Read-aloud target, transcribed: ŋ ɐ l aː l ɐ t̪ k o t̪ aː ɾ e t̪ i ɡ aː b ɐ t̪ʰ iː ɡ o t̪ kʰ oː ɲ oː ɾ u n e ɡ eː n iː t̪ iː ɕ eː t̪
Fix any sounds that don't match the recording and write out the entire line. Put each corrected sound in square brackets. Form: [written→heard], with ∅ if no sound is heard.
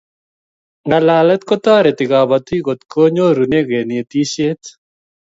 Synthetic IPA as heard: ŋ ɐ l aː l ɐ t̪ k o t̪ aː ɾ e t̪ i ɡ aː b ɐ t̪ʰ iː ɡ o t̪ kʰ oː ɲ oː ɾ u n e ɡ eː n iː t̪ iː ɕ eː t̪